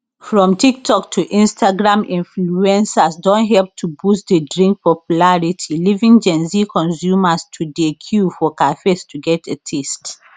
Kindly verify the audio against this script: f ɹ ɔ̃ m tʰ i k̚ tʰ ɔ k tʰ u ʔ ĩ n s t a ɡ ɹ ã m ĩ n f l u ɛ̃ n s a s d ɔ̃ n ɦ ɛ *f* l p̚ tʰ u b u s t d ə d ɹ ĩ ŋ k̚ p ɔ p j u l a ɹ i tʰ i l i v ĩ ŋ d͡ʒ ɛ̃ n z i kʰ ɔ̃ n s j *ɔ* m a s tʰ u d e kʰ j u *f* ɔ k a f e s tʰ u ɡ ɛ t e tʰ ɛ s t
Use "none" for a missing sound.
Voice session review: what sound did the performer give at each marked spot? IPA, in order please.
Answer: none, u, f

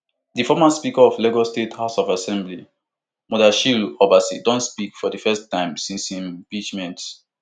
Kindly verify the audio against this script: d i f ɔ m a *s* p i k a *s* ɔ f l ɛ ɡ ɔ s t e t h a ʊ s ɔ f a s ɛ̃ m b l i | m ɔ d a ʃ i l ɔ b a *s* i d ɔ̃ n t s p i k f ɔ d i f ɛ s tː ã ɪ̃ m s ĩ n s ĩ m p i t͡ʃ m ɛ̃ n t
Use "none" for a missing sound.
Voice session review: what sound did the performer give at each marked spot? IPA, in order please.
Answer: s, none, s

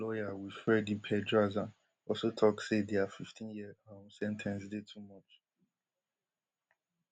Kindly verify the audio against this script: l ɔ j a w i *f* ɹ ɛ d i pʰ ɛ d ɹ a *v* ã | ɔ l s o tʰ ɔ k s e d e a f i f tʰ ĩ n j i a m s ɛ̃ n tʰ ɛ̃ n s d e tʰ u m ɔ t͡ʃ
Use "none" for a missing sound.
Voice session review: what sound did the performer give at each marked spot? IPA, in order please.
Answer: f, z

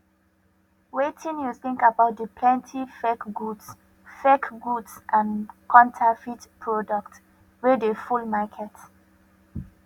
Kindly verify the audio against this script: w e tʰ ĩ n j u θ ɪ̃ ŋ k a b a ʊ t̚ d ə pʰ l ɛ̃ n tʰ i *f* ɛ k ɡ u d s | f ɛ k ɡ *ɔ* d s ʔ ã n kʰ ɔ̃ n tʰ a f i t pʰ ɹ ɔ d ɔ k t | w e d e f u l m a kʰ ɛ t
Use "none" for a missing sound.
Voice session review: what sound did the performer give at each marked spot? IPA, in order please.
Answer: f, u

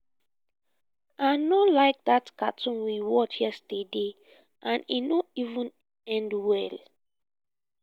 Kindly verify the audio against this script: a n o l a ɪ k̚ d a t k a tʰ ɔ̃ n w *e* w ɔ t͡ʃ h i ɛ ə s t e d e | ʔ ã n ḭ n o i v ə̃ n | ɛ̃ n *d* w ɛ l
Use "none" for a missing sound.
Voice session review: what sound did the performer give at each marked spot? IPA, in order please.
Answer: i, d

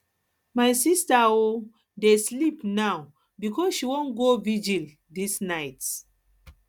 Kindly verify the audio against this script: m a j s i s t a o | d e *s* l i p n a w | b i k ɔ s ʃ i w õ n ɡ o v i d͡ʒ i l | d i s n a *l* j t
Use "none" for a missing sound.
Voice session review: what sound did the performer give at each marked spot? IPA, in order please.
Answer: s, none

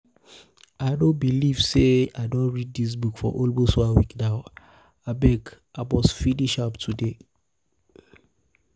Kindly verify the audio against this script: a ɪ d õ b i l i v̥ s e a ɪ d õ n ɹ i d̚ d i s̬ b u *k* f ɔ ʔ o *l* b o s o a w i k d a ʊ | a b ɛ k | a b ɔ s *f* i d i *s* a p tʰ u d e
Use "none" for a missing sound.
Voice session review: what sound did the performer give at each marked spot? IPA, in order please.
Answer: k, l, f, ʃ

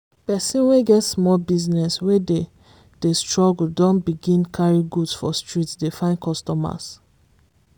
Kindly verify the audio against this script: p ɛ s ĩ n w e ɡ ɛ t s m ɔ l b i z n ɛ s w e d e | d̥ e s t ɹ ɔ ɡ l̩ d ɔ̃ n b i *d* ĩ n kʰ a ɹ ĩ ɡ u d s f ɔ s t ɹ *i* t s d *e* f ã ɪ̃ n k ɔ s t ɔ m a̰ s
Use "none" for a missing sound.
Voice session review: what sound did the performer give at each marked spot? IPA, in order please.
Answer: ɡ, i, e

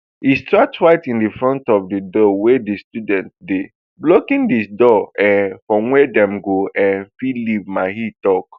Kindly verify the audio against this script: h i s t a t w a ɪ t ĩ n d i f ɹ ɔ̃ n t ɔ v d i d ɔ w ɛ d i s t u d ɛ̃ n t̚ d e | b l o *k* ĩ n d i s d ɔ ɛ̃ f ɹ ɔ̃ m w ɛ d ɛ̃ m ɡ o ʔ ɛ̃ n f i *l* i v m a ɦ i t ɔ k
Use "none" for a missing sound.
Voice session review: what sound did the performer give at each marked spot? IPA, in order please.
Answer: k, l

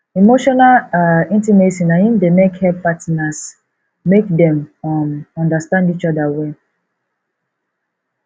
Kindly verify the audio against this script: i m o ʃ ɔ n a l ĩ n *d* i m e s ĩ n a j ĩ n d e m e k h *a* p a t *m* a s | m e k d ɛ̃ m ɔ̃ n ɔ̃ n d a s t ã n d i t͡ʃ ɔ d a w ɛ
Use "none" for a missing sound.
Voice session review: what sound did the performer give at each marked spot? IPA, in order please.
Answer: t, ɛ, n

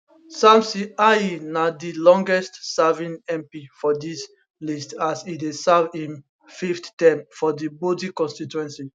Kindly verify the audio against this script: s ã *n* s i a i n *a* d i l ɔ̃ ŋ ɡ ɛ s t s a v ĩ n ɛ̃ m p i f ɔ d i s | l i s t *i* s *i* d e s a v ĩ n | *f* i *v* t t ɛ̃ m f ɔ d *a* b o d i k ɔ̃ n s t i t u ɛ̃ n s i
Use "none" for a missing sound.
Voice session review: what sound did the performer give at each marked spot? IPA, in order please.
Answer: m, a, a, i, f, f, i

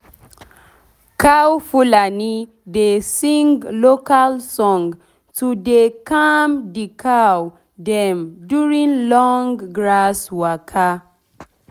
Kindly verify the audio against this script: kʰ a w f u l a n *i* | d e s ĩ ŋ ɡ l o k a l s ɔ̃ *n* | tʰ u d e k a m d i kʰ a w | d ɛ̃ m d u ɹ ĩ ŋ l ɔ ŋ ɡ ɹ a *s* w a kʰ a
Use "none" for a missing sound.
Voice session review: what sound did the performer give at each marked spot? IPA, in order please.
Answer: i, ŋ, s

